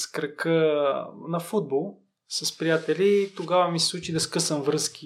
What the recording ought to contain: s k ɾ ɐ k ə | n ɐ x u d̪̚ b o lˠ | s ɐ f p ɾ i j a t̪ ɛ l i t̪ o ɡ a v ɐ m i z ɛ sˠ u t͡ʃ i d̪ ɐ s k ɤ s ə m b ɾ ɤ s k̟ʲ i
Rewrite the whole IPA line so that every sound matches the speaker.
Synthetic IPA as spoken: s k ɾ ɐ k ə | n ɐ f u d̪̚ b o lˠ | s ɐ s p ɾ i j a t̪ ɛ l i t̪ o ɡ a v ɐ m i s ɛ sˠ u t͡ʃ i d̪ ɐ s k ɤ s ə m v ɾ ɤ s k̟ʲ i